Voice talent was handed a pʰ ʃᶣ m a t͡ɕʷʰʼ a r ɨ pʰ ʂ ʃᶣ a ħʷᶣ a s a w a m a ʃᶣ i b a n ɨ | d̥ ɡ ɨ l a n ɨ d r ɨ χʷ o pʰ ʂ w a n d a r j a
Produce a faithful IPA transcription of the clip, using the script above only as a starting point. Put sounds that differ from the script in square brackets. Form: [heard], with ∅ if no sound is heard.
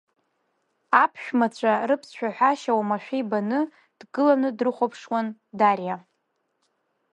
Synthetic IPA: a pʰ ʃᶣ m a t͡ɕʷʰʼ a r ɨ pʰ [s] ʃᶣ a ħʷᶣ a [ʃ] a w a m a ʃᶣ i b a n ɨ | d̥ ɡ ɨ l a n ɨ d r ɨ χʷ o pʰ ʂ w a n d a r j a